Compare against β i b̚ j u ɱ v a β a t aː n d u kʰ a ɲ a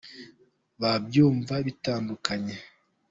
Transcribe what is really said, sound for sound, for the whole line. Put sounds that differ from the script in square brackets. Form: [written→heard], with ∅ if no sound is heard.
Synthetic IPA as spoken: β [i→a] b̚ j [u→uː] ɱ v a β [a→i] t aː n d u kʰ a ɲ [a→e]